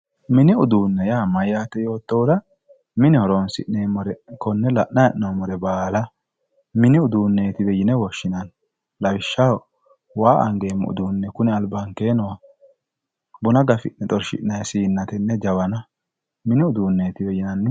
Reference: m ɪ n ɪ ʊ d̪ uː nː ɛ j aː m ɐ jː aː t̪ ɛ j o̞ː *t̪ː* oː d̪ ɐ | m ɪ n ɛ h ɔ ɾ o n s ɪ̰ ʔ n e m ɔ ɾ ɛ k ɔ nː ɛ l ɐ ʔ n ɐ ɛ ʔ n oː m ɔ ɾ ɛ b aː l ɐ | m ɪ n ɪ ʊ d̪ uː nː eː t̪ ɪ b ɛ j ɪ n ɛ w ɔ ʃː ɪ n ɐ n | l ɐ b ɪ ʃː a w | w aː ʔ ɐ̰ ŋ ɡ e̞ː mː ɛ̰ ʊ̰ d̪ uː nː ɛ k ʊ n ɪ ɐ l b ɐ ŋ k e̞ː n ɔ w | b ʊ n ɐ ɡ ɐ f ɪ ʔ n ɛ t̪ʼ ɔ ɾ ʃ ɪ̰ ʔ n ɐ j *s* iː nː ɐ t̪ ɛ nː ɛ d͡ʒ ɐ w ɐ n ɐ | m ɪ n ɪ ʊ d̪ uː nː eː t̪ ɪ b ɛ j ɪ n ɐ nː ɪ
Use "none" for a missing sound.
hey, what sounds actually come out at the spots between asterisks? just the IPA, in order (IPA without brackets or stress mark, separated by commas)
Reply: t̪ː, s